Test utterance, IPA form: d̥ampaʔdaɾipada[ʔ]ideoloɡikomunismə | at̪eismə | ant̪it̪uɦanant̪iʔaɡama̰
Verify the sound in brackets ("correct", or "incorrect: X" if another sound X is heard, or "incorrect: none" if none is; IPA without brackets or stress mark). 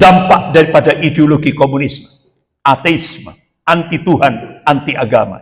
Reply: correct